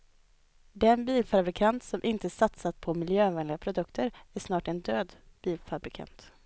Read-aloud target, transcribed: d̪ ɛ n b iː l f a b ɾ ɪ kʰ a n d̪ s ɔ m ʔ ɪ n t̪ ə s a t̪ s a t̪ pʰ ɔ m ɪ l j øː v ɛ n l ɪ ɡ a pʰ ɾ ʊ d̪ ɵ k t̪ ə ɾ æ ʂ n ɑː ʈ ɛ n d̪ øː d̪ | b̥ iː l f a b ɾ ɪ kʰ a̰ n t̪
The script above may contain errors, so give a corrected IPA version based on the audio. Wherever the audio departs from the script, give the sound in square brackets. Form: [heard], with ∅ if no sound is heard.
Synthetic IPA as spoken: d̪ ɛ n b iː l f a b ɾ ɪ kʰ a n [t̪] s ɔ m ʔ ɪ n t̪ ə s a t̪ s a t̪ pʰ ɔ m ɪ l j øː v ɛ n l ɪ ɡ a pʰ ɾ ʊ d̪ ɵ k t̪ ə ɾ æ ʂ n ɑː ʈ ɛ n d̪ øː d̪ | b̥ iː l f a b ɾ ɪ kʰ a̰ n t̪